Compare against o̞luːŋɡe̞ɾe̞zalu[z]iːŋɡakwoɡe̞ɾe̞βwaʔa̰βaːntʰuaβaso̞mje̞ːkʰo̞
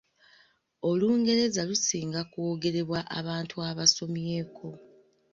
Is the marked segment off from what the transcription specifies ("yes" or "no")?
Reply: yes